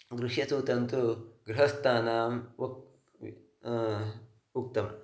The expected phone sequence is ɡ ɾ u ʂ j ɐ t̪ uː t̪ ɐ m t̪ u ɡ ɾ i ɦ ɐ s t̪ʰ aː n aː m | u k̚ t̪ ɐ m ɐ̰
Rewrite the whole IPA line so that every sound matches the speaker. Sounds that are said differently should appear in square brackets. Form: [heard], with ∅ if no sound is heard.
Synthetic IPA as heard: ɡ ɾ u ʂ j ɐ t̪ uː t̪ ɐ [n] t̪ u ɡ ɾ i ɦ ɐ s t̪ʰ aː n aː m | u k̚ t̪ ɐ m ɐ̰